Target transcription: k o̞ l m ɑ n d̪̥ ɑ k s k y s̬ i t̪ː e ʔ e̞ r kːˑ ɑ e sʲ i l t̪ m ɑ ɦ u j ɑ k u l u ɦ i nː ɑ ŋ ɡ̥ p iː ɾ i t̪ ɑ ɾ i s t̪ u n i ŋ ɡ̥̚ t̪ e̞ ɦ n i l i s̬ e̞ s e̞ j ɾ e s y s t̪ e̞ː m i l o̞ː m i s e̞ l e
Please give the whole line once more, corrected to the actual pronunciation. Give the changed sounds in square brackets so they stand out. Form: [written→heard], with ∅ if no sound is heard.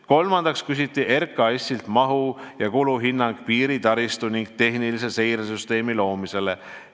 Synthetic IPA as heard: k o̞ l m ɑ n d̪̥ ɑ k s k y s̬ i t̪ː [e→i] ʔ e̞ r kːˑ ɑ e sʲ i l t̪ m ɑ ɦ u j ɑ k u l u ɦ i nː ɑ ŋ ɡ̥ p iː ɾ i t̪ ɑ ɾ i s t̪ u n i ŋ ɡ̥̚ t̪ e̞ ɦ n i l i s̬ e̞ s e̞ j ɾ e s y s t̪ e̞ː m i l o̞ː m i s e̞ l e